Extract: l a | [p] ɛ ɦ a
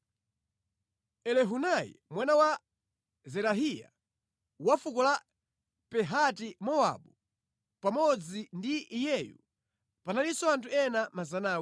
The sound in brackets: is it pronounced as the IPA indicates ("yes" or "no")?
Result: yes